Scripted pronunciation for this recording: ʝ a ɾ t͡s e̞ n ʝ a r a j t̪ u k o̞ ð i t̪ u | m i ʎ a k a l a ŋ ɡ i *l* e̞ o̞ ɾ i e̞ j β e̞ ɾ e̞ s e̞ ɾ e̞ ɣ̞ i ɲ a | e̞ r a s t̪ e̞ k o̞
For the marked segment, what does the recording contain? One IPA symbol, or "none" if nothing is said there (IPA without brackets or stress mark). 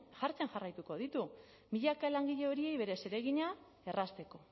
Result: ʎ